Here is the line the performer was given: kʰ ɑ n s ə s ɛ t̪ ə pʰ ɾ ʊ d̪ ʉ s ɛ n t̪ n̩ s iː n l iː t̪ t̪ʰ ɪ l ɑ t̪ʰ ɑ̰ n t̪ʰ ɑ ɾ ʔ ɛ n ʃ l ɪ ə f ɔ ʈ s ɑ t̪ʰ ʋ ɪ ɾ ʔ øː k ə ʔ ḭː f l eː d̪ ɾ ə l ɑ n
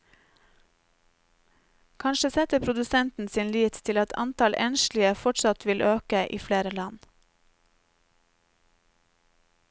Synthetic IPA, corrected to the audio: kʰ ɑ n ʃ ə s ɛ t̪ ə pʰ ɾ ʊ d̪ ʉ s ɛ n t̪ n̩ s iː n l iː t̪ t̪ʰ ɪ l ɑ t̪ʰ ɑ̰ n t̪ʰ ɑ l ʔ ɛ n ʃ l ɪ ə f ɔ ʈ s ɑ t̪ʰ ʋ ɪ l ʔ øː k ə ʔ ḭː f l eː ɾ ə l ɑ n